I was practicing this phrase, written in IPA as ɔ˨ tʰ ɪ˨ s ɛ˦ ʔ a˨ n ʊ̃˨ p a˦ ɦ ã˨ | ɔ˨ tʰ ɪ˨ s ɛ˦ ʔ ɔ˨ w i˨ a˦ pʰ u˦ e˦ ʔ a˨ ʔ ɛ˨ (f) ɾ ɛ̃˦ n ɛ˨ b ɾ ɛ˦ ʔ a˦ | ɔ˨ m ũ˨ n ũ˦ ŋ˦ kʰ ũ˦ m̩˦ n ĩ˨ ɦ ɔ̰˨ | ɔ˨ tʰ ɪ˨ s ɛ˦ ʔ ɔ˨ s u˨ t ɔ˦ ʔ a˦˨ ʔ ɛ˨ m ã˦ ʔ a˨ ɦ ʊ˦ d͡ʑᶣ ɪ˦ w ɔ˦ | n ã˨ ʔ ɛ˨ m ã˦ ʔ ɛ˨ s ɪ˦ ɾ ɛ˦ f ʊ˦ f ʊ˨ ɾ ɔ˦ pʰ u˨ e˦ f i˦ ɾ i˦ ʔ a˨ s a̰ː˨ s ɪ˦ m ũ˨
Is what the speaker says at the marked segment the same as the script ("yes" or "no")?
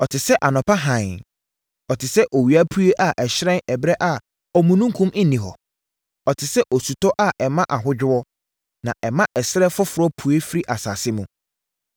no